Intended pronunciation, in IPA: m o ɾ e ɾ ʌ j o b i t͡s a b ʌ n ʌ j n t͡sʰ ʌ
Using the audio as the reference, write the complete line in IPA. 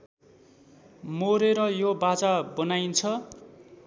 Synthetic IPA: m o ɾ e ɾ ʌ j o b a t͡s a b ʌ n a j n t͡sʰ ʌ